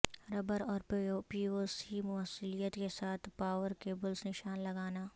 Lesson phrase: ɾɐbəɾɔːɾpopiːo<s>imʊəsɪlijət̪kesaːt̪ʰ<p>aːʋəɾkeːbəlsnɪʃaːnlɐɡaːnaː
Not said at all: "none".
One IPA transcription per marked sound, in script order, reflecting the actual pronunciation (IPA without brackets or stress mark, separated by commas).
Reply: s, p